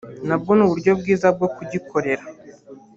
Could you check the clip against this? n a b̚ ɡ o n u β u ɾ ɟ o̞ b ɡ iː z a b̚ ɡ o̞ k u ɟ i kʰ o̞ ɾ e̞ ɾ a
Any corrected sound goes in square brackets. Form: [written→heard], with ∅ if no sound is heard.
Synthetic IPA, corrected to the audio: n a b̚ ɡ o n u β u ɾ ɟ o̞ b ɡ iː z a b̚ ɡ o̞ k u ɟ i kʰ o̞ ɾ e̞ ɾ a